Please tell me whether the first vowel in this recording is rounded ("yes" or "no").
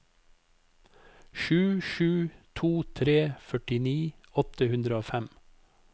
yes